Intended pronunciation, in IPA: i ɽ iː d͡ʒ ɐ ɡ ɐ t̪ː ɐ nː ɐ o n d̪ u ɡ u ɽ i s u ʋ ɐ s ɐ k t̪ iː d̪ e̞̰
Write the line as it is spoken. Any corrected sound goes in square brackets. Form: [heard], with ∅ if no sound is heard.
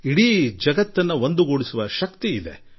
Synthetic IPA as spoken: i ɽ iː d͡ʒ ɐ ɡ ɐ t̪ː ɐ nː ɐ o n d̪ u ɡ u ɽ i s u ʋ ɐ [ʃ] ɐ k t̪ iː d̪ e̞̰